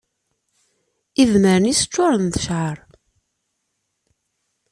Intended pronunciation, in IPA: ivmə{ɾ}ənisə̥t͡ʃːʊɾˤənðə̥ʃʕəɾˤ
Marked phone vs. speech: correct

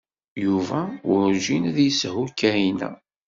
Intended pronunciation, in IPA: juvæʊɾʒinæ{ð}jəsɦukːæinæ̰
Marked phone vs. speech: correct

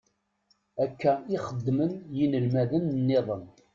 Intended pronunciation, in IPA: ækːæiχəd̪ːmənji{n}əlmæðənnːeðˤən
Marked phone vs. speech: correct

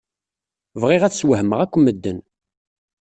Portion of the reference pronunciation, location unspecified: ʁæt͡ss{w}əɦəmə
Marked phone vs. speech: correct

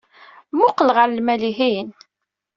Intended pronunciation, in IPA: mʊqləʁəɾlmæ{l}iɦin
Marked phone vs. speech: correct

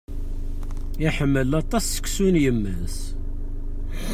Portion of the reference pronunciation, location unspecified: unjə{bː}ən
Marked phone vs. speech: incorrect: mː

